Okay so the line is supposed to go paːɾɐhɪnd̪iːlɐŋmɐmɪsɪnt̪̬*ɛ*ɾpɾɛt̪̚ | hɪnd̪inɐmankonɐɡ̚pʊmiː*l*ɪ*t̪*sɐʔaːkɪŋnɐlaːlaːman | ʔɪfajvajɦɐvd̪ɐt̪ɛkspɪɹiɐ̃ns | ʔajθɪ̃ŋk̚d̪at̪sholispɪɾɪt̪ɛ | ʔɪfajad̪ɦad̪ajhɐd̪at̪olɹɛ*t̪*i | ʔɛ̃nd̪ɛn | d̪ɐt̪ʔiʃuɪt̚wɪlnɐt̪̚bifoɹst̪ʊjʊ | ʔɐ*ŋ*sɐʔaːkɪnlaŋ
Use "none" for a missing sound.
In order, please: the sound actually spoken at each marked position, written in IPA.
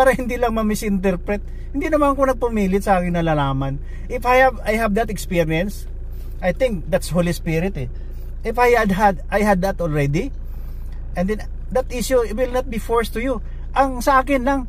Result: ɛ, l, t̪, d̪, ŋ

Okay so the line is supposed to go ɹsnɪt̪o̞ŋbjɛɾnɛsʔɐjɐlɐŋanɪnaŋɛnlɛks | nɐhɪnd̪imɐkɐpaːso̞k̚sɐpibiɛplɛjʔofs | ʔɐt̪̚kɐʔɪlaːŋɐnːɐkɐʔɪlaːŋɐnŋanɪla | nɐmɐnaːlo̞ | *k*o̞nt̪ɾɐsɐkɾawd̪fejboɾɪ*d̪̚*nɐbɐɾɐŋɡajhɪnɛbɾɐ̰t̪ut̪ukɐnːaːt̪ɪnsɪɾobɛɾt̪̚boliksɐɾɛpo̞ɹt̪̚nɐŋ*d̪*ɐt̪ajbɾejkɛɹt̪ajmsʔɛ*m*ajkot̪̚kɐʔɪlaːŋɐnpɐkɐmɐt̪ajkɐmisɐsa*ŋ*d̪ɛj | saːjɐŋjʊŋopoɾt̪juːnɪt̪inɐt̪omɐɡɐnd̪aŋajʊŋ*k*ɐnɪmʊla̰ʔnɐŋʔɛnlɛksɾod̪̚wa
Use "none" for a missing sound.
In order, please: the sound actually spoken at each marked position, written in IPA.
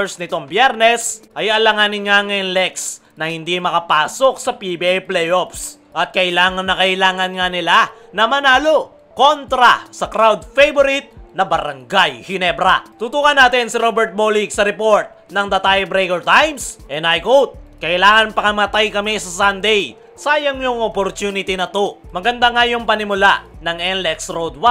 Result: k, t̪̚, d̪, n, n, p

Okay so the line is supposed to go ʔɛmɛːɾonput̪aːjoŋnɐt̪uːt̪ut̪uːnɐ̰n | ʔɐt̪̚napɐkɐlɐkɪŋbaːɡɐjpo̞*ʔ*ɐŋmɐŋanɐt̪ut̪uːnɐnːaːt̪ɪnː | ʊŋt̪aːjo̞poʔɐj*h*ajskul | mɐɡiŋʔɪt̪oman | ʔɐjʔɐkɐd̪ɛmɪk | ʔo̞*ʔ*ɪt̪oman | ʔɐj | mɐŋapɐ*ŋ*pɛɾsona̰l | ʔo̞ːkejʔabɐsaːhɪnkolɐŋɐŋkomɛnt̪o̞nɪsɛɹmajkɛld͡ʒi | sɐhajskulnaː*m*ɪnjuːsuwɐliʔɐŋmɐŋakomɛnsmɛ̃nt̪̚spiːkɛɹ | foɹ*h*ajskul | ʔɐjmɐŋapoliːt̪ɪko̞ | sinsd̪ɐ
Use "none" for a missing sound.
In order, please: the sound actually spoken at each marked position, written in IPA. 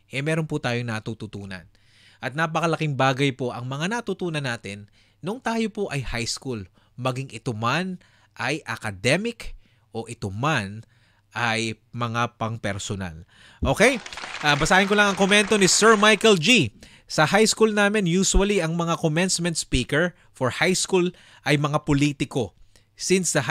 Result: ʔ, h, ʔ, ŋ, m, h

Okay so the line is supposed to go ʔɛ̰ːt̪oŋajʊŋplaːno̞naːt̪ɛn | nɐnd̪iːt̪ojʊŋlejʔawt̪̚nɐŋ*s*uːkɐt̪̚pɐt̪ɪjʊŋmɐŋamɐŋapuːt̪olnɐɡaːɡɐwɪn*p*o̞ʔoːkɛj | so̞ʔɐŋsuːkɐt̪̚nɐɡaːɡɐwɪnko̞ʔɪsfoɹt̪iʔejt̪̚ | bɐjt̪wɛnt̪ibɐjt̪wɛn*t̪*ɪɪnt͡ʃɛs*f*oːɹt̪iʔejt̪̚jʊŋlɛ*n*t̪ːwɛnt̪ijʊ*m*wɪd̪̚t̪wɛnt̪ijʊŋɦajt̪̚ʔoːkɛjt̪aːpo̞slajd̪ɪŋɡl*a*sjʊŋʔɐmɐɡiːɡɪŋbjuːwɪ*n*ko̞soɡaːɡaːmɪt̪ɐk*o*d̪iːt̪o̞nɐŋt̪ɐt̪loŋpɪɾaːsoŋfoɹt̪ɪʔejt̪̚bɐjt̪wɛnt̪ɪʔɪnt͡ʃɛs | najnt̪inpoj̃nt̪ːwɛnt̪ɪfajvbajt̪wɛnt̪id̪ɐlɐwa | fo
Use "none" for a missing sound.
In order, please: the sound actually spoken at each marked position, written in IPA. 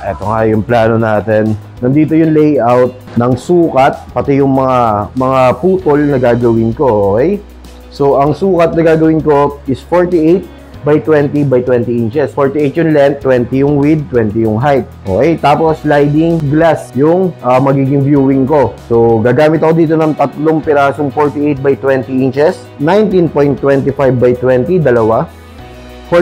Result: s, k, t̪, f, n, ŋ, a, ŋ, o

